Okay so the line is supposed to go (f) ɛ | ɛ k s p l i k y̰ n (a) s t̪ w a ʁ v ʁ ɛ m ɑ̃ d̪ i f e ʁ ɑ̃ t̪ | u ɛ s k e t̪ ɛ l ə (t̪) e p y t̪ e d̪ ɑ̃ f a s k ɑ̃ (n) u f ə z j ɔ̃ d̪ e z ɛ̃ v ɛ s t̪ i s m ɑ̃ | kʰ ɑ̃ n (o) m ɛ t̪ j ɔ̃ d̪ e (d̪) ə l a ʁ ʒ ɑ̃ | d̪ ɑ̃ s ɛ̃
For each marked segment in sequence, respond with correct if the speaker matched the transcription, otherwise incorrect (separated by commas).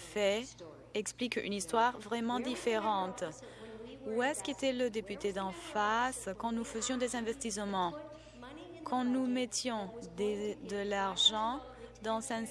correct, incorrect, incorrect, correct, incorrect, correct